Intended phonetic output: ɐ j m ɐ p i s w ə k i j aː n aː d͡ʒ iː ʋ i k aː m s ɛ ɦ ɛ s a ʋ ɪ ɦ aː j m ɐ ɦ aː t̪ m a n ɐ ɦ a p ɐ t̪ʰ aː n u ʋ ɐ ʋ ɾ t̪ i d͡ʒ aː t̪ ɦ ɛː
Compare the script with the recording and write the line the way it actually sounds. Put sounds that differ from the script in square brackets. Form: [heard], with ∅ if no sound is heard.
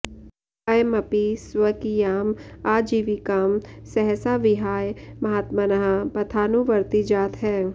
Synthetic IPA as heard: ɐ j m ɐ p i s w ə k i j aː [m] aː d͡ʒ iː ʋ i k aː m s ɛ ɦ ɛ s a ʋ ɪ ɦ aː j m ɐ ɦ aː t̪ m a n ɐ ɦ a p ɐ t̪ʰ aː n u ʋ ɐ [∅] ɾ t̪ i d͡ʒ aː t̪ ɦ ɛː